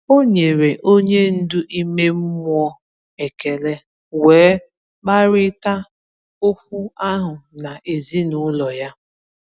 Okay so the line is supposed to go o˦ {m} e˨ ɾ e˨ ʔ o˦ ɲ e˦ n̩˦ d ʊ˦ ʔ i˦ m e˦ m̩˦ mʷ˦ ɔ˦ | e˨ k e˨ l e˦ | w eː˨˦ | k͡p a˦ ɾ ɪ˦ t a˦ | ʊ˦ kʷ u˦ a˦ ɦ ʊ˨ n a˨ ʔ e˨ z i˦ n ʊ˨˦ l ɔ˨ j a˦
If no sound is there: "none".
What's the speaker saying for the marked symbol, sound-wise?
ɲ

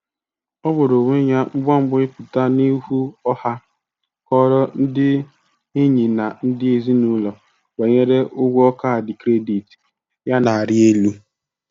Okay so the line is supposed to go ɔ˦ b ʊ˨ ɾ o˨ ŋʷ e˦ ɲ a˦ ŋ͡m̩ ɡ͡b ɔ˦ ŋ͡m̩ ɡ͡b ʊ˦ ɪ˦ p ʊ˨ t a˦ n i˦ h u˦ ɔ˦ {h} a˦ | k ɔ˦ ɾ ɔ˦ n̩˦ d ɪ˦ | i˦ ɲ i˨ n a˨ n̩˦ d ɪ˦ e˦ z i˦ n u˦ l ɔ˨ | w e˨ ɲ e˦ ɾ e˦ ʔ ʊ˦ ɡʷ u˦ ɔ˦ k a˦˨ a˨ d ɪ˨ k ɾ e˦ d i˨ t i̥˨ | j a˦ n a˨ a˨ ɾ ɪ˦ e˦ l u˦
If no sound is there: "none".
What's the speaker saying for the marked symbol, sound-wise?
h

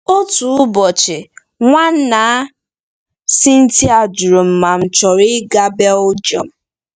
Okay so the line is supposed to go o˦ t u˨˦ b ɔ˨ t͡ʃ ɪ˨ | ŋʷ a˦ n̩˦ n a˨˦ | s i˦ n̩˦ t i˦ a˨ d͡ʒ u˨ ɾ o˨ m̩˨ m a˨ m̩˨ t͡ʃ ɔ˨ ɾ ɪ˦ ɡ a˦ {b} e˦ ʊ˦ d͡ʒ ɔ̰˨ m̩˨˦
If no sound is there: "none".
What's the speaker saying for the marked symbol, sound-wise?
b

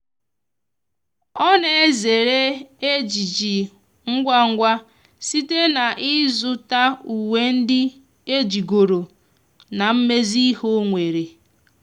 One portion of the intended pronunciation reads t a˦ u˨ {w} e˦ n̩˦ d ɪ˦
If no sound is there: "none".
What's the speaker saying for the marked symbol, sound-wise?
w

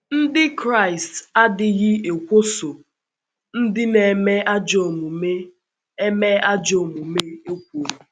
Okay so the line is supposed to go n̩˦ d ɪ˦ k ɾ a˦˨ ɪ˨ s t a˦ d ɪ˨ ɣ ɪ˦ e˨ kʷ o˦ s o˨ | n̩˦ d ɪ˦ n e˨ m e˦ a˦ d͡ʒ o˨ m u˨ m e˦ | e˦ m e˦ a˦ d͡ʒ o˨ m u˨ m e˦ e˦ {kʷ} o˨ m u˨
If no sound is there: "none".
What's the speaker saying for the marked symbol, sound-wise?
kʷ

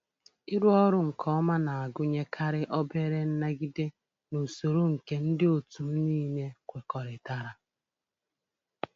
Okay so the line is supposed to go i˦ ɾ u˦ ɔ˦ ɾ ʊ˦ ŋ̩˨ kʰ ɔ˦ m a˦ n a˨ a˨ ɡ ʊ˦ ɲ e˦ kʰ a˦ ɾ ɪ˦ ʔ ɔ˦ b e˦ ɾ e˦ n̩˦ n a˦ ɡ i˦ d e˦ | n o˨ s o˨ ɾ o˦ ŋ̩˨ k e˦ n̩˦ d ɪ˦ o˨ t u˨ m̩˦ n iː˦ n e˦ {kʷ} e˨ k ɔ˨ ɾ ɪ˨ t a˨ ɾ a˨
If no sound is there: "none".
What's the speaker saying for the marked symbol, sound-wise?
kʷ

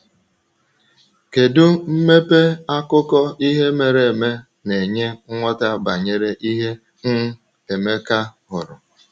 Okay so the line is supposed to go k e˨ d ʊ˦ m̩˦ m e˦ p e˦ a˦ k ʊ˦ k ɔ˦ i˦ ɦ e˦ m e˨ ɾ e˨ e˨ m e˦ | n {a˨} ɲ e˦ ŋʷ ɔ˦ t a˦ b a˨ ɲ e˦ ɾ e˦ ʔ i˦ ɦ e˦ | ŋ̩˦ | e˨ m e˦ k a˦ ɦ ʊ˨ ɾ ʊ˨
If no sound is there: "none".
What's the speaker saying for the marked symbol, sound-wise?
e˨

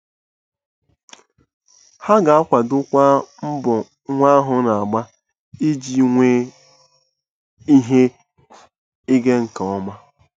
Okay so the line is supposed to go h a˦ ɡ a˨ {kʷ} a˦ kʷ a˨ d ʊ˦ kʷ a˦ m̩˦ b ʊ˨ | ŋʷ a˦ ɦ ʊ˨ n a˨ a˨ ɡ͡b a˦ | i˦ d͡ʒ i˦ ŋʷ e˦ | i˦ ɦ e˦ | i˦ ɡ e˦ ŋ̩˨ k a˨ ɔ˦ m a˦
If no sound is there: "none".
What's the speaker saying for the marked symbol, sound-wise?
none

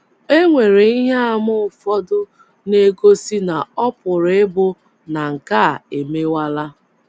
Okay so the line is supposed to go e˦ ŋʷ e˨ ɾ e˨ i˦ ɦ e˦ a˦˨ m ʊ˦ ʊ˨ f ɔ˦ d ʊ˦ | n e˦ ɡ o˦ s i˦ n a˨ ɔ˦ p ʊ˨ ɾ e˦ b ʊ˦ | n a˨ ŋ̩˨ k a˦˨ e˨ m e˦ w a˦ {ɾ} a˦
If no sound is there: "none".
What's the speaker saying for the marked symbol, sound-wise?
l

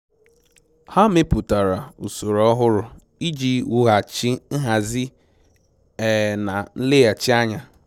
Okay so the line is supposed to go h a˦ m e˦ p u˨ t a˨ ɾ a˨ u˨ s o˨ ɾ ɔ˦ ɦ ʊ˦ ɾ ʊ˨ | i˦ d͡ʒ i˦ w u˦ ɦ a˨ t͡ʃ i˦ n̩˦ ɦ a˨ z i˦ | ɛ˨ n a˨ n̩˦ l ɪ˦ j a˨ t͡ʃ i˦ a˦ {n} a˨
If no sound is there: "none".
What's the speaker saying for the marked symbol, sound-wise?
ɲ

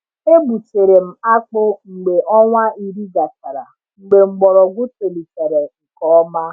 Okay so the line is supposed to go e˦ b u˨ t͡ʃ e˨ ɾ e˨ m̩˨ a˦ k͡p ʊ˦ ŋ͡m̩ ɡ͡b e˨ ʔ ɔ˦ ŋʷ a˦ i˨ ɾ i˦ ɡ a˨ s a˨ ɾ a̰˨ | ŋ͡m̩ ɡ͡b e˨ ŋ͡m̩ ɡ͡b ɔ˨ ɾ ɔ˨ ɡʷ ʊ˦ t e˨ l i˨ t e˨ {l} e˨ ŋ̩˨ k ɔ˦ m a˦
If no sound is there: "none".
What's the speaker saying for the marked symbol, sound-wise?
ɾ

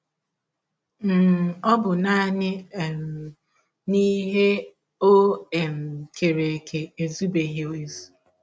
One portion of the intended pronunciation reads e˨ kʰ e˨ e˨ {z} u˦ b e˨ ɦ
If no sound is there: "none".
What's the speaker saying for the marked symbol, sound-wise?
z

